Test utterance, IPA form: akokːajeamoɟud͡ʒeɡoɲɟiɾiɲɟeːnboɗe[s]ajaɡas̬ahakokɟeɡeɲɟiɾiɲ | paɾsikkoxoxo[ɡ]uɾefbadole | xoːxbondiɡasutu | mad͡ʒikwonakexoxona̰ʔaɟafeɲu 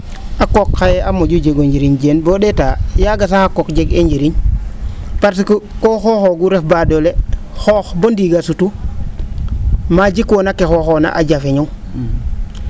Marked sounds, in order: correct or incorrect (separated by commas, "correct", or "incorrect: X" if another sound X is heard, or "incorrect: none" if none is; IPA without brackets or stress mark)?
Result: incorrect: t, correct